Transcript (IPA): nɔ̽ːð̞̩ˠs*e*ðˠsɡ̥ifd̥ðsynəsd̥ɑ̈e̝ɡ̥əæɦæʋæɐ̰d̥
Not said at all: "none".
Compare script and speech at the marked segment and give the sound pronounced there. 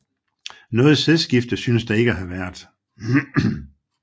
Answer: e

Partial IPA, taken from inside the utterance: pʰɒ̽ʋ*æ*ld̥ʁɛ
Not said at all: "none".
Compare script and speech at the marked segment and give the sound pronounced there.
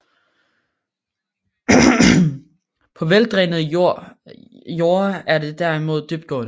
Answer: e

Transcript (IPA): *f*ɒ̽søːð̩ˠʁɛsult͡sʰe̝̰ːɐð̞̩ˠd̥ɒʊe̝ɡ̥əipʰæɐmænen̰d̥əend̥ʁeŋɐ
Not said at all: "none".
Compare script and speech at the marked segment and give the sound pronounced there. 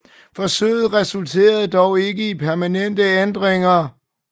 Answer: f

